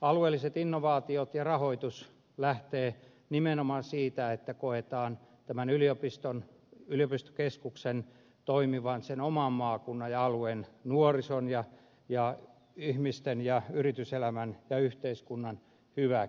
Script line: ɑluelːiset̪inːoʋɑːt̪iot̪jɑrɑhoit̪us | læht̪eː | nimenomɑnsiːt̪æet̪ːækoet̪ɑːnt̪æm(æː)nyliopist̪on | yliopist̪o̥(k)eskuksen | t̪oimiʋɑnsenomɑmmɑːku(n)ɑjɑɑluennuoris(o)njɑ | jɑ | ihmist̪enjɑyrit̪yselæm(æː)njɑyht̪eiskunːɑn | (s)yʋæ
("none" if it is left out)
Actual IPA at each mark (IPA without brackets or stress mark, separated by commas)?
æ, k, nː, o, æ, h